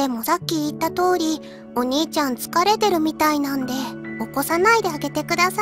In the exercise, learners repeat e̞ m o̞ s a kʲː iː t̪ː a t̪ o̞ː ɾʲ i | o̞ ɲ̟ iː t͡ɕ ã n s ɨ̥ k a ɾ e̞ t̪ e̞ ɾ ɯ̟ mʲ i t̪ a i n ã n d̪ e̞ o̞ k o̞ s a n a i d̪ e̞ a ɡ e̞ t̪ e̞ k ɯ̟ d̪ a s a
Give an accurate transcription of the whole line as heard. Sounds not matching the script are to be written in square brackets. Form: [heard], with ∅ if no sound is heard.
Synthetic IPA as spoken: e̞ m o̞ s a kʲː iː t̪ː a t̪ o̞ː ɾʲ i | o̞ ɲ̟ iː t͡ɕ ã n [t͡s] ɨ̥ k a ɾ e̞ t̪ e̞ ɾ ɯ̟ mʲ i t̪ a i n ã n d̪ e̞ o̞ k o̞ s a n a i d̪ e̞ a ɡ e̞ t̪ e̞ k ɯ̟ d̪ a s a